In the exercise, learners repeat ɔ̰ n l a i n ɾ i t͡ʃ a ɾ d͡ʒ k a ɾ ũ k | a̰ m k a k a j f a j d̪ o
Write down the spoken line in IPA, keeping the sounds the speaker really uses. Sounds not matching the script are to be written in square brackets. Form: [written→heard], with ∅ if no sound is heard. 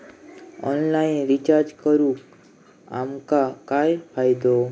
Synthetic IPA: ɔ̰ n l a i n ɾ i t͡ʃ a ɾ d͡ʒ k [a→ə] ɾ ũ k | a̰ m k a k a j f a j d̪ o